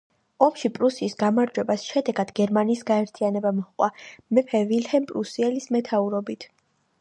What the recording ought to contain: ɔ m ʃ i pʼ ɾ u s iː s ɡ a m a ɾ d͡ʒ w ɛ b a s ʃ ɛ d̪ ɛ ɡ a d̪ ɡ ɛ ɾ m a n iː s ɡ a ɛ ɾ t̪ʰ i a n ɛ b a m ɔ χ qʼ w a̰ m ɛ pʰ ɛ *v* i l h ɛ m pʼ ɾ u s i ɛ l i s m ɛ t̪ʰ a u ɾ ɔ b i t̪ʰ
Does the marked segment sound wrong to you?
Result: no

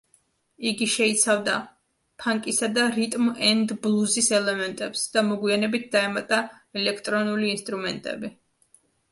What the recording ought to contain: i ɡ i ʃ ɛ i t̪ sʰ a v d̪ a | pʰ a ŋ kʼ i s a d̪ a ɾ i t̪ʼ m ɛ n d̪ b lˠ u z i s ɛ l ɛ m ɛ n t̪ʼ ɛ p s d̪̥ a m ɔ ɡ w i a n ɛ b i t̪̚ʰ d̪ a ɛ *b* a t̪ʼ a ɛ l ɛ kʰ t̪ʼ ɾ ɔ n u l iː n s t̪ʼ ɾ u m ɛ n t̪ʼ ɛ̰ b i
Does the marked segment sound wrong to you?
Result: yes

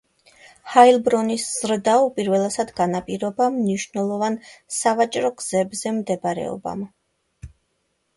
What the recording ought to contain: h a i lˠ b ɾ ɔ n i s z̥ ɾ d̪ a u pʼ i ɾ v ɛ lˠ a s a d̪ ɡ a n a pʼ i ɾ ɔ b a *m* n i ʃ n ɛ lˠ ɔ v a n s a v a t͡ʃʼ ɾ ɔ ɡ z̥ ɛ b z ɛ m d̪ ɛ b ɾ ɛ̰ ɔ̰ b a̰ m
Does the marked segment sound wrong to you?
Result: no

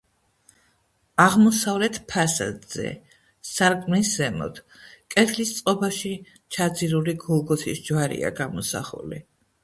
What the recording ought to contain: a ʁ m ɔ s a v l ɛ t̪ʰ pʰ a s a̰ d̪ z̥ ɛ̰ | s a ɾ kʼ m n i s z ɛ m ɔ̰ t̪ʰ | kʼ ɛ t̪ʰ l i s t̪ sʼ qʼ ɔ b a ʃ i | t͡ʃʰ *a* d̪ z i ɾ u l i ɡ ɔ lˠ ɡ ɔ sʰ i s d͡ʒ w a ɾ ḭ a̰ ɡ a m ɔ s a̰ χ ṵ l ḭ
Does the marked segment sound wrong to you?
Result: no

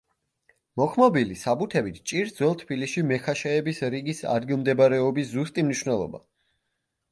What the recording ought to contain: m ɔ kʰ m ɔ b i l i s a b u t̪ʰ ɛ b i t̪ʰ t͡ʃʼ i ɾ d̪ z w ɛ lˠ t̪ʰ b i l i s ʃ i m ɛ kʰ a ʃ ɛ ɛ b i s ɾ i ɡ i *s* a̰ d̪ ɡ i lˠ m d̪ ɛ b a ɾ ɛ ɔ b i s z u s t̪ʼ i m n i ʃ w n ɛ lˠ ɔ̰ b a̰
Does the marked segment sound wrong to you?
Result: no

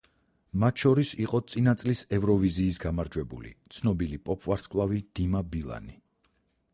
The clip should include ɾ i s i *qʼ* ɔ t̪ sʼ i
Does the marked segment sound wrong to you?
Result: no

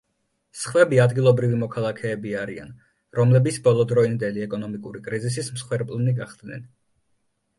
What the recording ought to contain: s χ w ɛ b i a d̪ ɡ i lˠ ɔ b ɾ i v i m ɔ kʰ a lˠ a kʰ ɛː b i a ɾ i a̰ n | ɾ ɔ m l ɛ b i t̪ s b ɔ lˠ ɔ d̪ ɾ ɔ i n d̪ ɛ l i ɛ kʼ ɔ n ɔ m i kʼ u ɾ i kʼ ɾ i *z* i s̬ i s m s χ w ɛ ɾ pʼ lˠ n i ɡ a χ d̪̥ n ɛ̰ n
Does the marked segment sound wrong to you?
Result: no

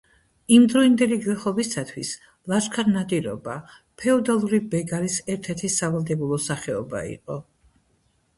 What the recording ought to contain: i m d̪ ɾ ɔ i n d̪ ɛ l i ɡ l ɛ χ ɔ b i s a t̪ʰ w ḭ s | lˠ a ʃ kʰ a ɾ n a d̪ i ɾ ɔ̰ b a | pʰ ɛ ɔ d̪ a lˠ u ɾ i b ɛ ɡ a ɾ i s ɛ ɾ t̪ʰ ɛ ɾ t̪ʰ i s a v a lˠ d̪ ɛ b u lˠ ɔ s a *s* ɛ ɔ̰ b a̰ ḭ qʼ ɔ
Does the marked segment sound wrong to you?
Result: yes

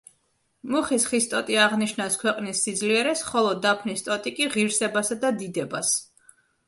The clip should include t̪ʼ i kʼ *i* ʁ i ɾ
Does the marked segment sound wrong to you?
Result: no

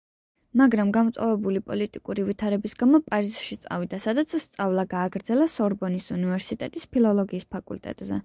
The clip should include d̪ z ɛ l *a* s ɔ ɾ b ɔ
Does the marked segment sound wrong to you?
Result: no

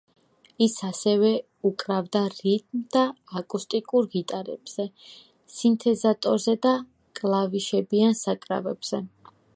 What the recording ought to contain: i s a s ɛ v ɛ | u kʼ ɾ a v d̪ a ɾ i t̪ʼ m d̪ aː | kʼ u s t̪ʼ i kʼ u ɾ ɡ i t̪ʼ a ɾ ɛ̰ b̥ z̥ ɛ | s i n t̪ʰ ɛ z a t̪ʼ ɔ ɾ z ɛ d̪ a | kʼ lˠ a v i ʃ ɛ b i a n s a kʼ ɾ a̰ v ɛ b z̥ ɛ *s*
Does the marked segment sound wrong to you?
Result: yes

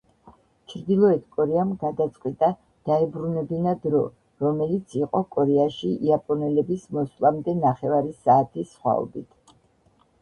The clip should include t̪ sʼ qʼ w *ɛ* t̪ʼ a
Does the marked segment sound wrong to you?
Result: yes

